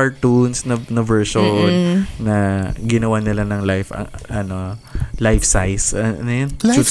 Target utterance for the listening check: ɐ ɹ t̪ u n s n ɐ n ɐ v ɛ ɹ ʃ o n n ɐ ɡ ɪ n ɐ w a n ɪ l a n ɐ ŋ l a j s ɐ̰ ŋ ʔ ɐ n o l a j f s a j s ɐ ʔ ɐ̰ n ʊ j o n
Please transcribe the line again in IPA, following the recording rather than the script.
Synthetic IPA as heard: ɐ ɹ t̪ u n s n ɐ n ɐ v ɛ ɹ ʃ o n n ɐ ɡ ɪ n ɐ w a n ɪ l a n ɐ ŋ l a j f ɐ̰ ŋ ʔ ɐ n o l a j f s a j s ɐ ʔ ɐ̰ n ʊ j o n